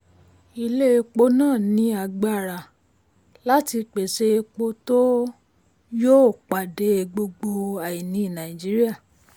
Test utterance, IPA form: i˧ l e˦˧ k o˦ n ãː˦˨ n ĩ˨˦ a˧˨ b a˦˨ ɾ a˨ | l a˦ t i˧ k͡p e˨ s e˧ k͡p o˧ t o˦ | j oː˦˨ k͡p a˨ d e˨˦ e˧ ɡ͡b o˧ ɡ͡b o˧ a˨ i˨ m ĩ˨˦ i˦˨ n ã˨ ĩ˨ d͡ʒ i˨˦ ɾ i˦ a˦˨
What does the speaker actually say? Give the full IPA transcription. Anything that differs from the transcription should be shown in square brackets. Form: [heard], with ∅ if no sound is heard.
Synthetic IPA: i˧ l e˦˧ [k͡p] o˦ n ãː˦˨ n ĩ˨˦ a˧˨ [ɡ͡b] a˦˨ ɾ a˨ | l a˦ t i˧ k͡p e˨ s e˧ k͡p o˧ t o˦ | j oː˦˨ k͡p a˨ d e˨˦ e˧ ɡ͡b o˧ ɡ͡b o˧ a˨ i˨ [n] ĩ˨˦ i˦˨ n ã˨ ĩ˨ d͡ʒ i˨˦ ɾ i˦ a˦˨